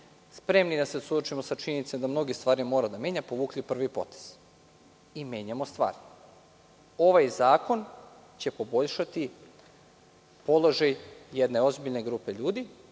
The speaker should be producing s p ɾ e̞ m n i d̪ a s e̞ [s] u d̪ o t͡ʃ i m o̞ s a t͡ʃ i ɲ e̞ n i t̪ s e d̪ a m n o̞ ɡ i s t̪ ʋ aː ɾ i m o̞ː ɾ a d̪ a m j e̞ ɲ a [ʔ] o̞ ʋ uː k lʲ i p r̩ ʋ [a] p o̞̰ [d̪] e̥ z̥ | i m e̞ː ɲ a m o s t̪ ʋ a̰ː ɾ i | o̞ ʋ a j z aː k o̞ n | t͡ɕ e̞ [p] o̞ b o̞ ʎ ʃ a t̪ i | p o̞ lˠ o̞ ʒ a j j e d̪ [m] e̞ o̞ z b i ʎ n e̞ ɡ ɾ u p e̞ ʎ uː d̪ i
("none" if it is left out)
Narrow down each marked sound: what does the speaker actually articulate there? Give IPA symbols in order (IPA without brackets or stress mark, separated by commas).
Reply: s, p, i, t̪, p, n